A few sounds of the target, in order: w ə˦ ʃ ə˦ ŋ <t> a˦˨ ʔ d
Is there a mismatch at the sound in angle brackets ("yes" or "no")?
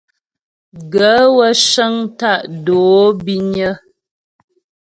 no